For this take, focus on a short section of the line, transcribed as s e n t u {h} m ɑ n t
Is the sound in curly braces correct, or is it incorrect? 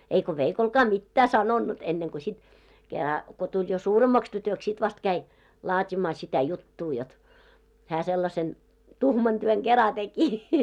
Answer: correct